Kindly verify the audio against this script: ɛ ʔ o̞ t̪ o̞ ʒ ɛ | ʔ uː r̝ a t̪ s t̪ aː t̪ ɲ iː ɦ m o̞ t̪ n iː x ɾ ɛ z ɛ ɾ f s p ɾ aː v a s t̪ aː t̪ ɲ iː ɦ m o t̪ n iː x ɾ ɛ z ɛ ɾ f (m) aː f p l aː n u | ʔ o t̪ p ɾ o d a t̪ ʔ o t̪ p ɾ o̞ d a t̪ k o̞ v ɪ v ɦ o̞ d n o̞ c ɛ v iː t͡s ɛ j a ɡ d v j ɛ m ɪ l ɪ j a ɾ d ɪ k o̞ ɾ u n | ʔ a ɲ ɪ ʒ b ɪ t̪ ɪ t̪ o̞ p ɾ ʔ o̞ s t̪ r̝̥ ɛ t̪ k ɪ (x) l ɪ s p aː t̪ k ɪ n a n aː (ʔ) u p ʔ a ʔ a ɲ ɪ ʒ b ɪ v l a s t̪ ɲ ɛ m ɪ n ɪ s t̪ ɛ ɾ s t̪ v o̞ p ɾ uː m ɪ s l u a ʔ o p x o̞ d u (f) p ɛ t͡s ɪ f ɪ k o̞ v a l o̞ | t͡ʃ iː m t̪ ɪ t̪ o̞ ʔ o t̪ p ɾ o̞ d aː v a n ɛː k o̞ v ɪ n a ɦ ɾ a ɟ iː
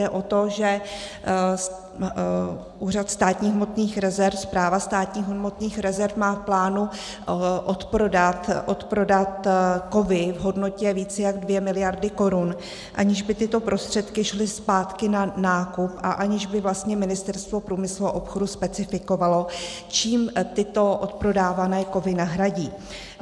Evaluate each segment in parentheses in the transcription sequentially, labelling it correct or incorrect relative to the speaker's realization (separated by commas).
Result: correct, incorrect, incorrect, incorrect